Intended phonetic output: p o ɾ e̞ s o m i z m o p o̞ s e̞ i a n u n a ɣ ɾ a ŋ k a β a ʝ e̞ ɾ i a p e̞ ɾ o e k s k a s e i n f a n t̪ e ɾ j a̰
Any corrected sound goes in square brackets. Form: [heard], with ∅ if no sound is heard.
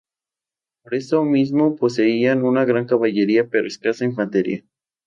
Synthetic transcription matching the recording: p o ɾ e̞ s o m i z m o p o̞ s e̞ i a n u n a ɣ ɾ a ŋ k a β a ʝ e̞ ɾ i a p e̞ ɾ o e [∅] s k a s [a] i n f a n t̪ e ɾ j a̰